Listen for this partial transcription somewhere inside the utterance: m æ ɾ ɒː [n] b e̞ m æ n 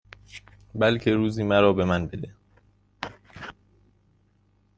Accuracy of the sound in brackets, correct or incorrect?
incorrect